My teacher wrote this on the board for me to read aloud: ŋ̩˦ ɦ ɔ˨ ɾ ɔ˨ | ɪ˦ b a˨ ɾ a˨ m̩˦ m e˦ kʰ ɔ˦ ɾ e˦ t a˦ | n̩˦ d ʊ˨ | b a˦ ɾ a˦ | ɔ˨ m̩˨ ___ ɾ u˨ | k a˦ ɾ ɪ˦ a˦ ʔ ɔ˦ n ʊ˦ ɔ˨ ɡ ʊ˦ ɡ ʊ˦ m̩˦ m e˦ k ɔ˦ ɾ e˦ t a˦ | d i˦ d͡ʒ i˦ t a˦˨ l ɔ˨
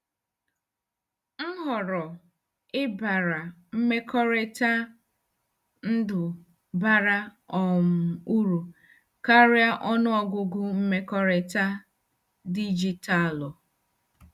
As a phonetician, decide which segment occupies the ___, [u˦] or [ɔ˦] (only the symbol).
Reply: u˦